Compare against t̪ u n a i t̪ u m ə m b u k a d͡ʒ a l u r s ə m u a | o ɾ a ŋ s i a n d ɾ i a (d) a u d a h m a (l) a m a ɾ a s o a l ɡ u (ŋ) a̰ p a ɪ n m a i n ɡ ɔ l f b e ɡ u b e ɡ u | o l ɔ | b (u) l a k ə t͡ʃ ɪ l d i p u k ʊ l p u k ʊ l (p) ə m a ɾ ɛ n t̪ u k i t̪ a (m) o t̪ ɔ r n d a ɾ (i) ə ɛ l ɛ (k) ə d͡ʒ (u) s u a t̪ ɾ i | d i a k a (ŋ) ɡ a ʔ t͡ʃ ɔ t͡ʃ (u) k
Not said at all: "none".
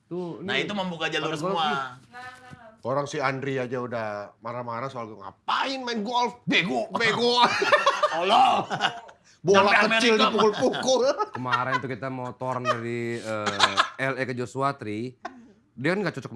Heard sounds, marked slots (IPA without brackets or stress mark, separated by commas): d͡ʒ, ɾ, ŋ, o, k, m, i, k, o, n, ɔ